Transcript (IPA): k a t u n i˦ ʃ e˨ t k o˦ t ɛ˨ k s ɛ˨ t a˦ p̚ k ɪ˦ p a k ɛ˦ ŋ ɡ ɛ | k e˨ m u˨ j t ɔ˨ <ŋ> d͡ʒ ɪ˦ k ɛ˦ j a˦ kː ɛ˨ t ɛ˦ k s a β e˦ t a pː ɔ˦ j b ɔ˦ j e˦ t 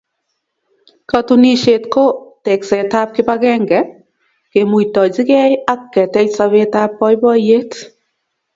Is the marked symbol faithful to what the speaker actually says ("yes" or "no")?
no